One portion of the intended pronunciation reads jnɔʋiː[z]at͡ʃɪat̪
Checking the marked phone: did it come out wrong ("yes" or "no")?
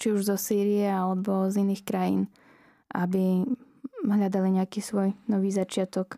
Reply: no